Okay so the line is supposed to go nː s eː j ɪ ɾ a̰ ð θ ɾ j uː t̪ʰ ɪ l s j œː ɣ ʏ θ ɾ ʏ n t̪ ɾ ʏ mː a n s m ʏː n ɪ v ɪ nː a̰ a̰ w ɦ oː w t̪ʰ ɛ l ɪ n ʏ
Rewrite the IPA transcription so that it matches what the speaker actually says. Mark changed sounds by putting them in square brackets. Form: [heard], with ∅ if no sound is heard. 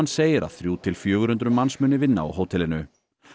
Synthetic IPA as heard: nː s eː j ɪ ɾ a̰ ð θ ɾ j uː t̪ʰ ɪ l [f] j œː ɣ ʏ [∅] ɾ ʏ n t̪ ɾ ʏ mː a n s m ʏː n ɪ v ɪ nː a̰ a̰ w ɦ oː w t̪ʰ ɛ l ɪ n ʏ